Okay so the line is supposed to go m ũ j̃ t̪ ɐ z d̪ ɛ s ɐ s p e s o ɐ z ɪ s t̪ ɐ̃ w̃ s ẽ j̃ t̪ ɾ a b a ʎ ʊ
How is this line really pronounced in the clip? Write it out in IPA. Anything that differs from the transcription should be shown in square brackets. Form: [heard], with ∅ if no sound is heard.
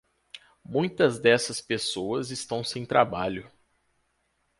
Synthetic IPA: m ũ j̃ t̪ ɐ z d̪ ɛ s ɐ s p e s o ɐ z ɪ s t̪ ɐ̃ w̃ s ẽ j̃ t̪ ɾ a b a ʎ ʊ